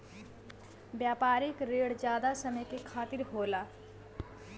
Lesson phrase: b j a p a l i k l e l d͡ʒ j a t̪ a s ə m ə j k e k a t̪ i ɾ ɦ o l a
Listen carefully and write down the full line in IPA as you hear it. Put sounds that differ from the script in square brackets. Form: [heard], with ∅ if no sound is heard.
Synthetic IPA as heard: b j a p a [ɾ] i k [ɾ] e [ɽ] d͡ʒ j a [d̪] a s ə m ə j k e [kʰ] a t̪ i ɾ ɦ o l a